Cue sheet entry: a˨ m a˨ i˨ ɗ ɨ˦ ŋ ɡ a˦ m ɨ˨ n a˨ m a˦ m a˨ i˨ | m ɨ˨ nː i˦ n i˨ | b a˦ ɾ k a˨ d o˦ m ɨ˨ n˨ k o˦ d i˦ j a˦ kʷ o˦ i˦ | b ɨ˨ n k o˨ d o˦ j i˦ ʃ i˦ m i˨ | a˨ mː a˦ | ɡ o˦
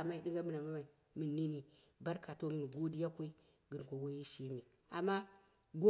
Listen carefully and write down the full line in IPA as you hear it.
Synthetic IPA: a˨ m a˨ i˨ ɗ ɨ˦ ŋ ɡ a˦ m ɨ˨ n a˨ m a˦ m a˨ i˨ | m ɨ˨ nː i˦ n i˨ | b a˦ ɾ k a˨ t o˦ m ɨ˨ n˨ ɡ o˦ d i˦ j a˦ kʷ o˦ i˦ | ɡ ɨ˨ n k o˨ ɡ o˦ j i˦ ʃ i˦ m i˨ | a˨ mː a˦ | ɡ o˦

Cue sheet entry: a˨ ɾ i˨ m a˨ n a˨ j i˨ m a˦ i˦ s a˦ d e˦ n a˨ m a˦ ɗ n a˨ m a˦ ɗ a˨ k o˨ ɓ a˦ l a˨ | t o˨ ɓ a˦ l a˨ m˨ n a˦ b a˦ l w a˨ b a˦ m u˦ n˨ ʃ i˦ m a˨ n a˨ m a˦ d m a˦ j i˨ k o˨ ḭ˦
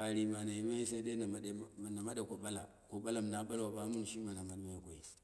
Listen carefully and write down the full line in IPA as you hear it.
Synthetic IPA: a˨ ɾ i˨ m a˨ n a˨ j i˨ m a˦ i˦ s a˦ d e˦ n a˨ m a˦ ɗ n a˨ m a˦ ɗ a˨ k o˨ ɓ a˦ l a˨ | k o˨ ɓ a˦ l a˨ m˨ n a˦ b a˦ l w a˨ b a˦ m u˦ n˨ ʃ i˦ m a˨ n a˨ m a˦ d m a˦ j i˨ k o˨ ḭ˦

